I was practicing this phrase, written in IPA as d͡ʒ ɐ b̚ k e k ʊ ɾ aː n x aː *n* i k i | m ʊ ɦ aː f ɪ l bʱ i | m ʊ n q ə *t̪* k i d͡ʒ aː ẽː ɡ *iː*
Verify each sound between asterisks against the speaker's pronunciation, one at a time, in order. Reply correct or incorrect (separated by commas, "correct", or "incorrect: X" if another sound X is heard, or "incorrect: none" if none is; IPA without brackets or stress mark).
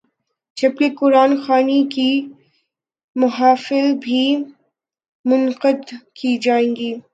correct, incorrect: d̪, correct